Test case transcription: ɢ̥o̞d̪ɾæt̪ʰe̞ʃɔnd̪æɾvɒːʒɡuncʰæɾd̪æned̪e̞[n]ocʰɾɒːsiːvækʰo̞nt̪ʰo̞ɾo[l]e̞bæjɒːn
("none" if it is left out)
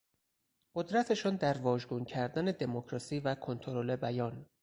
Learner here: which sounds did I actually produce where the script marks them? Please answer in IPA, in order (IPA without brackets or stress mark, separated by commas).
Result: m, l